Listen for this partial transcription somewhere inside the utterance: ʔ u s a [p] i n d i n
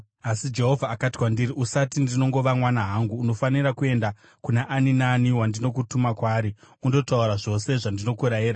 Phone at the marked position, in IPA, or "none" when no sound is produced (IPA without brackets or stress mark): t